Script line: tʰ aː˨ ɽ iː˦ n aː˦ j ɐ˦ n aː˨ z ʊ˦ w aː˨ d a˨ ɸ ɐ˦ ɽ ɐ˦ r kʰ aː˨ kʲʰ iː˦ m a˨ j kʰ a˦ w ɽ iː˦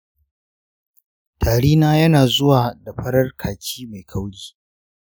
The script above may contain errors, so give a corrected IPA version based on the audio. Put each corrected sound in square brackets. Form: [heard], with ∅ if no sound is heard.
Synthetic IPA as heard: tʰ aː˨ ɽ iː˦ n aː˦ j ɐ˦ n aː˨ z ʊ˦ w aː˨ d a˨ ɸ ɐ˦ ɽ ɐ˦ r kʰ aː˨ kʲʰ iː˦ m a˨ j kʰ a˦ w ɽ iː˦